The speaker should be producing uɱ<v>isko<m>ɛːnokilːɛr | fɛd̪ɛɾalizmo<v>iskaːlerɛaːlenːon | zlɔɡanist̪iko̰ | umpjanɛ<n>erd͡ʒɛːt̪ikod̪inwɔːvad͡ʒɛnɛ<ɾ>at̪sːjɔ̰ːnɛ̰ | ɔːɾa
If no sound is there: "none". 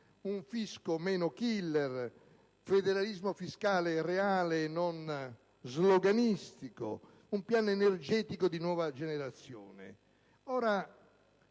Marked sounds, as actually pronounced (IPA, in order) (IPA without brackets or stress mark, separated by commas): f, m, f, n, ɾ